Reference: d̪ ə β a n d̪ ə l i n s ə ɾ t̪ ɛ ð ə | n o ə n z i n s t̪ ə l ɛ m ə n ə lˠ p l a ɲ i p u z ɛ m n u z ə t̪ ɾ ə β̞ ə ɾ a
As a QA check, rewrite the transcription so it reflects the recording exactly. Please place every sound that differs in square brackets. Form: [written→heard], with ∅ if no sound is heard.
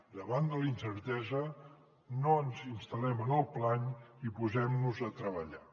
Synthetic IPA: d̪ ə β a n d̪ ə l i n s ə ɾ t̪ ɛ [ð→z] ə | n o ə n z i n s t̪ ə l ɛ m ə n ə lˠ p l a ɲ i p u z ɛ m n u z ə t̪ ɾ ə β̞ ə [ɾ→ʎ] a